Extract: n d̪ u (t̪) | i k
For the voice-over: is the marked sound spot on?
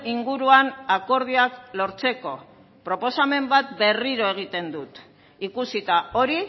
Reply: yes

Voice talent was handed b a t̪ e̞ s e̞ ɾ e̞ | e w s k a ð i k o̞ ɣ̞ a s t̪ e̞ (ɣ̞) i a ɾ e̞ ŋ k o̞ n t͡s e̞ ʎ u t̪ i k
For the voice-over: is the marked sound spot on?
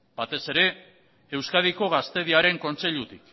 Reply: no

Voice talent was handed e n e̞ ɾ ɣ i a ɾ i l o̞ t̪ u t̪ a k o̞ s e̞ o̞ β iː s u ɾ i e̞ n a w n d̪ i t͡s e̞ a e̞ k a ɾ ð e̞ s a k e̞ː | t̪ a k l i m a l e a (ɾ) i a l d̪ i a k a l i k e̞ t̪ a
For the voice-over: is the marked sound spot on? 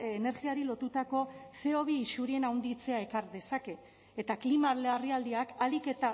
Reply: no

